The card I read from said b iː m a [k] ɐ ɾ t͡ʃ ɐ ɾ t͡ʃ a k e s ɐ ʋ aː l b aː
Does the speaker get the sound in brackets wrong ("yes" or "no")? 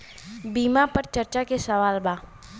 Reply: yes